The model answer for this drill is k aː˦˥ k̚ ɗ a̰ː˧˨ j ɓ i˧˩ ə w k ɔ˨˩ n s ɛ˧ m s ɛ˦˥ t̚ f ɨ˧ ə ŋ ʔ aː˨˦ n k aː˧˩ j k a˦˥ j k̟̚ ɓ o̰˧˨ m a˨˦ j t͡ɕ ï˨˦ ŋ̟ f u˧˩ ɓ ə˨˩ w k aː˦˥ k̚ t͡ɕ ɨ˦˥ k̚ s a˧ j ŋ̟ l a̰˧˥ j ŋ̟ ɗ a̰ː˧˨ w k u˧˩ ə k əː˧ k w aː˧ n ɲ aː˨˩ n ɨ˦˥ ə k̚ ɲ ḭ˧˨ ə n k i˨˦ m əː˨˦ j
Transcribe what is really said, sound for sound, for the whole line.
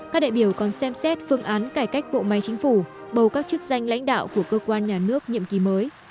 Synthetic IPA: k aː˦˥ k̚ ɗ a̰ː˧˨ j ɓ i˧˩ ə w k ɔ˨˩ n s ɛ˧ m s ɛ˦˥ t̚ f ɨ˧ ə ŋ ʔ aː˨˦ n k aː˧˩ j k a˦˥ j k̟̚ ɓ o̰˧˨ m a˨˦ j t͡ɕ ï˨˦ ŋ̟ f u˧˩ ɓ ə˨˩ w k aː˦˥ k̚ t͡ɕ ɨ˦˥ k̚ z a˧ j ŋ̟ l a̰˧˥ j ŋ̟ ɗ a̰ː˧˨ w k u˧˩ ə k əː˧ k w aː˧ n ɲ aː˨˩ n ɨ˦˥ ə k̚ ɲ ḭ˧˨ ə m k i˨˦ m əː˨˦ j